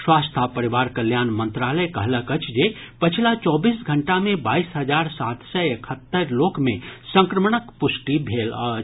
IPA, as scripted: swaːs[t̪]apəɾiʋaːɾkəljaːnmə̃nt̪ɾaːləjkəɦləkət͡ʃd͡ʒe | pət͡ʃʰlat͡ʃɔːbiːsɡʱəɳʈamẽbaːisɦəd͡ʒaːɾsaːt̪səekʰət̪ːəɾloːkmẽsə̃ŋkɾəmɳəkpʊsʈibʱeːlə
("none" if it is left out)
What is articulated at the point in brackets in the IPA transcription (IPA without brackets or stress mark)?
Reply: t̪ʰ